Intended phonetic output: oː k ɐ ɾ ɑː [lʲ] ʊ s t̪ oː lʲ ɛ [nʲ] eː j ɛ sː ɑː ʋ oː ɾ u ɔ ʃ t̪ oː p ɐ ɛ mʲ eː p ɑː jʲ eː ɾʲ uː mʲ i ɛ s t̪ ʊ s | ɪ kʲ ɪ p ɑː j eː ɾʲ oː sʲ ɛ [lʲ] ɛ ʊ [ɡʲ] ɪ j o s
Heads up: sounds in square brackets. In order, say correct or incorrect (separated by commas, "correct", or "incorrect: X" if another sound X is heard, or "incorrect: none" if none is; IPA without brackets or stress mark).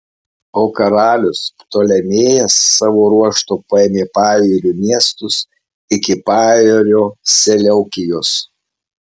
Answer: correct, incorrect: mʲ, correct, incorrect: kʲ